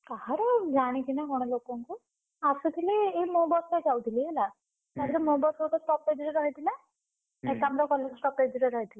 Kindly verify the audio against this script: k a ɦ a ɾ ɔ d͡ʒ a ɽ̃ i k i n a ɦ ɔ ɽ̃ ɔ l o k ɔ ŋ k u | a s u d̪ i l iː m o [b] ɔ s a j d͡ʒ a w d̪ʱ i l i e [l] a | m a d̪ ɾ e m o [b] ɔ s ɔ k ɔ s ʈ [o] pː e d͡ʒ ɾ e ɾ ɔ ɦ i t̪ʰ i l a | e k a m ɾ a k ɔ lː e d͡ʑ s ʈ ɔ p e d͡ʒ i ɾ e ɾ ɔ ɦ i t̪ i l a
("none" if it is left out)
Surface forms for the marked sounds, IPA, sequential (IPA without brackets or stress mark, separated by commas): b, l, b, ɔ